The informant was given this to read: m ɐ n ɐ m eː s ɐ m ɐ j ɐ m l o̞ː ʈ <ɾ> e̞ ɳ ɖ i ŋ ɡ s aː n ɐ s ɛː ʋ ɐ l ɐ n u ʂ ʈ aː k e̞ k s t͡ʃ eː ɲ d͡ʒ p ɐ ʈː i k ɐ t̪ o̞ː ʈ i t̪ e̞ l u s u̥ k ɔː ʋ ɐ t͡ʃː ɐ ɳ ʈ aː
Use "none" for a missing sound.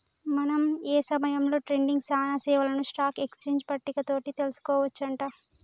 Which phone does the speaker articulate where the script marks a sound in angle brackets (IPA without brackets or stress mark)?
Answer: ɾ